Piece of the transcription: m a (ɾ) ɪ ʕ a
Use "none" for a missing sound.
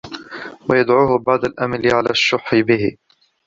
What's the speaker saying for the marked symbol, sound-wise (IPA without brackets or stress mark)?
l